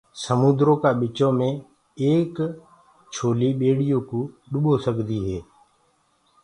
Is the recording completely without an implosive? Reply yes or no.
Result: no